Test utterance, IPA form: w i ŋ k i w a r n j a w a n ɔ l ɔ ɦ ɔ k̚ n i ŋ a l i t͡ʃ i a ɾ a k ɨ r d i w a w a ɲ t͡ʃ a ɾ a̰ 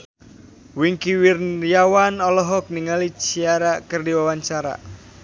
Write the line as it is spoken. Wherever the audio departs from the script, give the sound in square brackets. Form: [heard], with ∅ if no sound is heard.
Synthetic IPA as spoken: w i ŋ k i w [i] r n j a w a n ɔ l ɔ ɦ ɔ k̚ n i ŋ a l i t͡ʃ i a ɾ a k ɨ r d i w a w a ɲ t͡ʃ a ɾ a̰